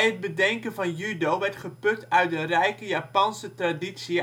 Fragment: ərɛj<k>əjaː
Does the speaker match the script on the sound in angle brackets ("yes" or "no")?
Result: yes